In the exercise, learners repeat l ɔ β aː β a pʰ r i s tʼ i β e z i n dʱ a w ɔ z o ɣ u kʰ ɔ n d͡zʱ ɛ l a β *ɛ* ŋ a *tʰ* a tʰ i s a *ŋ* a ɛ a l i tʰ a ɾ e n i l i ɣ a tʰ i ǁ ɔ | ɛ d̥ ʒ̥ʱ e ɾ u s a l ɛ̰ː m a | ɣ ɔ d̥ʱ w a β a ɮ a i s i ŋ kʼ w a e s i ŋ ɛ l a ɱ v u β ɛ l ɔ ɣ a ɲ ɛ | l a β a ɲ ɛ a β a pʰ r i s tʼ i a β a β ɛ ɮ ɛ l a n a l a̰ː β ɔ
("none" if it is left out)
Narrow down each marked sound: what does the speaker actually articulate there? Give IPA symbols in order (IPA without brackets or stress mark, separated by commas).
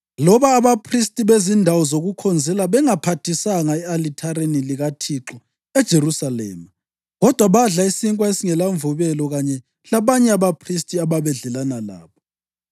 ɛ, pʰ, ŋ